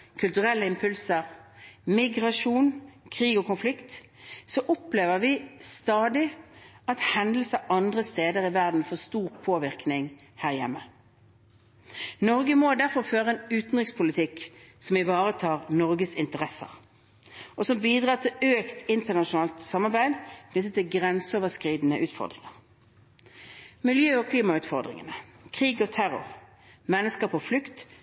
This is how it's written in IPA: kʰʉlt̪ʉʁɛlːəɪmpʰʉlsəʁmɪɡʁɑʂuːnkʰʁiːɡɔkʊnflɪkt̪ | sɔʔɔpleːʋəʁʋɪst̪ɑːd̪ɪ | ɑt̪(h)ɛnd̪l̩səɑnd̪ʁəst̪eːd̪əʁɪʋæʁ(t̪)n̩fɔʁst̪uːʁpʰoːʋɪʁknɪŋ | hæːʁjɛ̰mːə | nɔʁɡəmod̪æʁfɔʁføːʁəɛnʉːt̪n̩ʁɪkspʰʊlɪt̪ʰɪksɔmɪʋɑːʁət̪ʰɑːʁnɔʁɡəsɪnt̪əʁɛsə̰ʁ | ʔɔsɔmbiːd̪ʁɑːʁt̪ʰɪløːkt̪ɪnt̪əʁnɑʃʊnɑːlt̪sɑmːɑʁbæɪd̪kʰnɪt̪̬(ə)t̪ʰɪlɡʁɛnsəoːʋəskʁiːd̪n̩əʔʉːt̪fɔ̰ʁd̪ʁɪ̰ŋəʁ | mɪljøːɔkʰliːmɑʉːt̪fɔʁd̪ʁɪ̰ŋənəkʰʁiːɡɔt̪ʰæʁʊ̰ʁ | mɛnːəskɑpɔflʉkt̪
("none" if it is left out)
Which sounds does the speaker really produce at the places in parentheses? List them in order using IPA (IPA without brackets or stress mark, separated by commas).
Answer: h, d̪, ə